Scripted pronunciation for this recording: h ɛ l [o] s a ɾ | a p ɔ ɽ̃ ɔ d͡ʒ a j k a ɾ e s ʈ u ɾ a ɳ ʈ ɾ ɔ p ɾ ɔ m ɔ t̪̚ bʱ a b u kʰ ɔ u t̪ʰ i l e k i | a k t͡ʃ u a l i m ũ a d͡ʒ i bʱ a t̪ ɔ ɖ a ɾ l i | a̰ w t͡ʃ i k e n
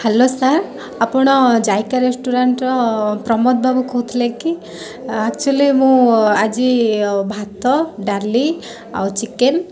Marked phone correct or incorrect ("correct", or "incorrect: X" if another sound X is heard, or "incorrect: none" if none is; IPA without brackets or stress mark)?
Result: correct